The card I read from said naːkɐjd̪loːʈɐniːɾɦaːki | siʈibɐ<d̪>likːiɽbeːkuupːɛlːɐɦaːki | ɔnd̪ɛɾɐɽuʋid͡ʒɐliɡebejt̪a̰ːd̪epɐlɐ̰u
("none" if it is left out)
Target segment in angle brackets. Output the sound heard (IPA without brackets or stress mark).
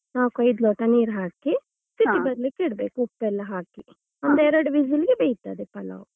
d̪